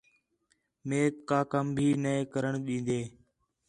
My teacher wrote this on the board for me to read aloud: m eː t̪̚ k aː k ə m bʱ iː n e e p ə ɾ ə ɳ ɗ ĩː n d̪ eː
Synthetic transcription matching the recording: m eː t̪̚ k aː k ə m bʱ iː n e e k ə ɾ ə ɳ ɗ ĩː n d̪ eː